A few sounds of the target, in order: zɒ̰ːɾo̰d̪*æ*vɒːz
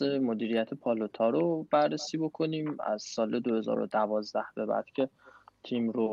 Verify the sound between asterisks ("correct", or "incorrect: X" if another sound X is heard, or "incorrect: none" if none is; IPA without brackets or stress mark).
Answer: correct